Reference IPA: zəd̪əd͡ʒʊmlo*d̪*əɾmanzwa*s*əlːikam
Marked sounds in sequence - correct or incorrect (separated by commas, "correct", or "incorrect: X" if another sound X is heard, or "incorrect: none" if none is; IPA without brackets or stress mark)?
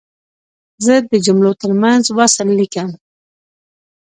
incorrect: t̪, correct